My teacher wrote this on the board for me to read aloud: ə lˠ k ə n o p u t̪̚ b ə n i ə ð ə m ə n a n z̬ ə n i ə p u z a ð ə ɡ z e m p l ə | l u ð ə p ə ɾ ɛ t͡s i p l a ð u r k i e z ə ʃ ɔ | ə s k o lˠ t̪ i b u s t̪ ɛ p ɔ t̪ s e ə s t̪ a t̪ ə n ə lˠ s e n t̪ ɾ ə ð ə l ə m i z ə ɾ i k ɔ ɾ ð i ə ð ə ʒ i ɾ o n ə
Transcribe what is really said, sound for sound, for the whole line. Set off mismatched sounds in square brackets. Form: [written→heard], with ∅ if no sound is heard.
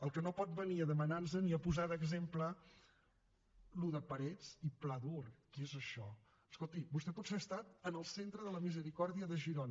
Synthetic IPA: ə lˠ k ə n o p [u→ɔ] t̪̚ b ə n i ə ð ə m ə n a n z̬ ə n i ə p u z a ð ə ɡ z e m p l ə | l u ð ə p ə ɾ ɛ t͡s i p l a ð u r k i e z ə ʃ ɔ | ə s k o lˠ t̪ i b u s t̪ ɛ p ɔ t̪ s e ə s t̪ a t̪ ə n ə lˠ s e n t̪ ɾ ə ð ə l ə m i z ə ɾ i k ɔ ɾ ð i ə ð ə ʒ i ɾ o n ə

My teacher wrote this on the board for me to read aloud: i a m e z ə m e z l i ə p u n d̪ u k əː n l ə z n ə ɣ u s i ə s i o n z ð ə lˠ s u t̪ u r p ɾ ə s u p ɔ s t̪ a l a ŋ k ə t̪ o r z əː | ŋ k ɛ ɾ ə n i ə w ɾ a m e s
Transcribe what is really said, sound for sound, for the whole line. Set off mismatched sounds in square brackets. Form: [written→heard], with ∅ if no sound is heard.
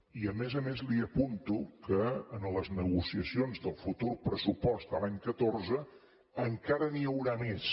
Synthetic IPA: i [a→ə] m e z ə m e z l i ə p u n [d̪→t̪] u k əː n l ə z n ə ɣ u s i ə s i o n z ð ə lˠ [s→f] u t̪ u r p ɾ ə s u p ɔ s t̪ [a→ə] l a [ŋ→ɲ] k ə t̪ o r z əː | ŋ k [ɛ→a] ɾ ə n i ə w ɾ a m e s

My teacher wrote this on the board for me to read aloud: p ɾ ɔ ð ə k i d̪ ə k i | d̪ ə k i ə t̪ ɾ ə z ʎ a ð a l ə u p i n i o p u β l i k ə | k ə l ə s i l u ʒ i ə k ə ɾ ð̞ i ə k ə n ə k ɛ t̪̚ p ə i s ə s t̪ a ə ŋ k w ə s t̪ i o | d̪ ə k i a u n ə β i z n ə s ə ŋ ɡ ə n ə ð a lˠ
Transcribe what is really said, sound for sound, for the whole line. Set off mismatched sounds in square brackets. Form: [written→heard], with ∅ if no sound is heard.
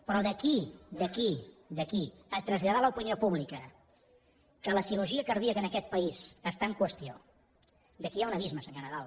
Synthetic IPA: p ɾ ɔ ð ə k i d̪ ə k i | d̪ ə k i ə t̪ ɾ ə z ʎ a ð a l ə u p i n i o p u β l i k ə | k ə l ə s i l u ʒ i ə k ə ɾ ð̞ i ə k ə n ə k ɛ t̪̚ p ə i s ə s t̪ a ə ŋ k w ə s t̪ i o | d̪ ə k i a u n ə β i z [n→m] ə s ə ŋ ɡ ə n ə ð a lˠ

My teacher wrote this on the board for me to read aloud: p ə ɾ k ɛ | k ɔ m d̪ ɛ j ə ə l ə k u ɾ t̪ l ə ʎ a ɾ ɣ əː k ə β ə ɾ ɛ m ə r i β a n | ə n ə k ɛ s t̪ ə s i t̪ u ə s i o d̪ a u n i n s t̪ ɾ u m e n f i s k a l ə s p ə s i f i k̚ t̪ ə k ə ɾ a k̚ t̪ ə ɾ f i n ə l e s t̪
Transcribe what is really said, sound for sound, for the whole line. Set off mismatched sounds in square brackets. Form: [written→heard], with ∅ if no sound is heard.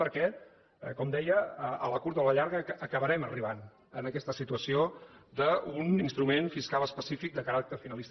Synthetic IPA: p ə ɾ k ɛ | k ɔ m d̪ ɛ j ə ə l ə k u ɾ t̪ l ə ʎ a ɾ ɣ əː k ə β ə ɾ ɛ m ə r i β a n | ə n ə k ɛ s t̪ ə s i t̪ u ə s i o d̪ [a→ə] u n i n s t̪ ɾ u m e n f i s k a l ə s p ə s i f i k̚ [t̪→d̪] ə k ə ɾ a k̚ t̪ ə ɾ f i n ə l [e→i] s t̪

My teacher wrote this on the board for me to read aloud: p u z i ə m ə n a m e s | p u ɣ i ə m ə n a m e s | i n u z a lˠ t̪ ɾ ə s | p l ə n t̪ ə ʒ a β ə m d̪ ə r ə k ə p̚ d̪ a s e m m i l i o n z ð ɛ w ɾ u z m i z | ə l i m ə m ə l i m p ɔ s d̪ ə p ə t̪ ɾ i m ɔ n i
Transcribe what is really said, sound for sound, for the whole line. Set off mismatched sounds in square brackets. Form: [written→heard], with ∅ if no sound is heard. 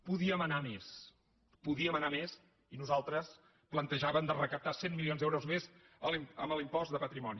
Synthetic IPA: p u [z→ð] i ə m ə n a m e s | p u [ɣ→ð] i ə m ə n a m e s | i n u z a lˠ t̪ ɾ ə s | p l ə n t̪ ə ʒ a β ə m d̪ ə r ə k ə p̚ [d̪→t̪] a s e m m i l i o n z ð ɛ w ɾ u z m [i→e] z | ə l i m ə m ə l i m p ɔ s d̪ ə p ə t̪ ɾ i m ɔ n i

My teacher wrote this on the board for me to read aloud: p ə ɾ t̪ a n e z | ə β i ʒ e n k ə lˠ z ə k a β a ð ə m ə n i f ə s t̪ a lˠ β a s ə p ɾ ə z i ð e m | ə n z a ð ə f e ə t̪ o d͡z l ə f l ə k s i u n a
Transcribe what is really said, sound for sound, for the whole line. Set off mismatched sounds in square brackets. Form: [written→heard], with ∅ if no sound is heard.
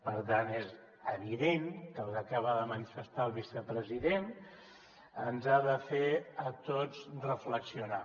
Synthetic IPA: p ə ɾ t̪ a n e z | ə β i [ʒ→ð] e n k ə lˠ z ə k a β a ð ə m ə n i f ə s t̪ a lˠ β [a→i] s ə p ɾ ə z i ð e [m→n] | ə n z a ð ə f e ə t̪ o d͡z [l→r] ə f l ə k s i u n a

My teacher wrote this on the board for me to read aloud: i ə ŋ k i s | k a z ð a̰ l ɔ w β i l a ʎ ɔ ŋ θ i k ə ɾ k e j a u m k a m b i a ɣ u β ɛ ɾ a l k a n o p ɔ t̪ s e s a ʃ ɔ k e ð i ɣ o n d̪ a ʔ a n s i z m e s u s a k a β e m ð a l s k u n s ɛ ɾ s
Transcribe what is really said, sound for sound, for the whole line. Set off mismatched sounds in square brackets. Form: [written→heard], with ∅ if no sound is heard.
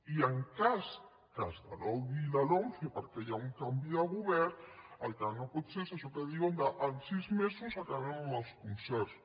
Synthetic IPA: i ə ŋ k [i→a] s | k a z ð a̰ l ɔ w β i l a [ʎ→l] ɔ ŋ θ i [k→p] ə ɾ k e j a u [m→ŋ] k a m b i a ɣ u β ɛ ɾ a l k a n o p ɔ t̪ s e s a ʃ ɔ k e ð i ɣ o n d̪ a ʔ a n s i z m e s u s a k a β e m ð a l s k u n s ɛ ɾ s

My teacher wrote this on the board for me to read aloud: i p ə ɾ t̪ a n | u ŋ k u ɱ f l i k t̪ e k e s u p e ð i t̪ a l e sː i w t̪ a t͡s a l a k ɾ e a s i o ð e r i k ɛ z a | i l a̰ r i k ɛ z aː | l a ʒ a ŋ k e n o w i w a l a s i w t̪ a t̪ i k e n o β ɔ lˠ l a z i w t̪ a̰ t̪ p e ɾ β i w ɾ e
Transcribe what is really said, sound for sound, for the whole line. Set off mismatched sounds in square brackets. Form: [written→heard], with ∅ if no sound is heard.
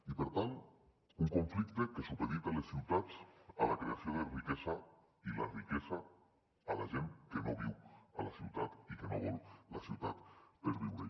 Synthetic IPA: i p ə ɾ t̪ a n | u ŋ k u ɱ f l i k t̪ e k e s u p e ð i t̪ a l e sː i w t̪ a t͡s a l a k ɾ e a s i o ð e r i k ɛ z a | i l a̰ r i k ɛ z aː | l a ʒ [a→e] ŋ k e n o [w→β] i w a l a s i w t̪ a t̪ i k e n o β ɔ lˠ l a [z→s] i w t̪ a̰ t̪ p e ɾ β i w ɾ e

